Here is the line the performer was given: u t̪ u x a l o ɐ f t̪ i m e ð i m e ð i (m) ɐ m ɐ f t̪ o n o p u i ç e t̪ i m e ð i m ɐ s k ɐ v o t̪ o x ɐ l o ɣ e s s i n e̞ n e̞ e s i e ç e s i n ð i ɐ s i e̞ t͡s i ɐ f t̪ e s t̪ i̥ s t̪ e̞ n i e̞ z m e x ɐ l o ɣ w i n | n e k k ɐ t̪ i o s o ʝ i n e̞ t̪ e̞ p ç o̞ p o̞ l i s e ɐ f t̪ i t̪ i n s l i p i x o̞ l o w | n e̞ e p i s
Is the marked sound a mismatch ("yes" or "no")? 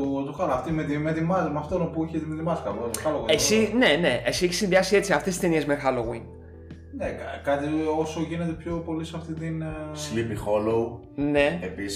no